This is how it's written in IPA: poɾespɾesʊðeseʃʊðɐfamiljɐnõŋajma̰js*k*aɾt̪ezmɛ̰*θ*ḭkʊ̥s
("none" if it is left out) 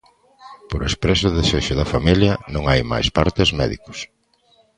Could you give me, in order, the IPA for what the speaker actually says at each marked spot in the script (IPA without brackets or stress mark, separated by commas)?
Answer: p, ð